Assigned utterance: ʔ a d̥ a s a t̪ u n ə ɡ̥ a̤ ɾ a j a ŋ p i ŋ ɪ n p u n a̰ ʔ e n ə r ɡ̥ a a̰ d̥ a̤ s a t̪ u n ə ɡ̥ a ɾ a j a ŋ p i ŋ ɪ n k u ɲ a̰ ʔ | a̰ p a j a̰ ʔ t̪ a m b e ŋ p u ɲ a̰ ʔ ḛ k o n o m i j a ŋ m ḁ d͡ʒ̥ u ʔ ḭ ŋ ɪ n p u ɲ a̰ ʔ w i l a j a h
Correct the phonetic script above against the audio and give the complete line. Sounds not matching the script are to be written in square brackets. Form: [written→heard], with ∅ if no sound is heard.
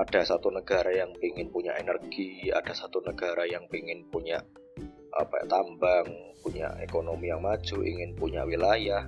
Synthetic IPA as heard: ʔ a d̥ a s a t̪ u n ə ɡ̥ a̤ ɾ a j a ŋ p i ŋ ɪ n p u [n→ɲ] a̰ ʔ e n ə r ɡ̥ [a→i] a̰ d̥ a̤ s a t̪ u n ə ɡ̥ a ɾ a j a ŋ p i ŋ ɪ n [k→p] u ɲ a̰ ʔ | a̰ p a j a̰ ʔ t̪ a m b [e→a] ŋ p u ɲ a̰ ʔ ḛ k o n o m i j a ŋ m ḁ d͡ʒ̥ u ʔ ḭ ŋ ɪ n p u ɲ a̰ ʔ w i l a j a h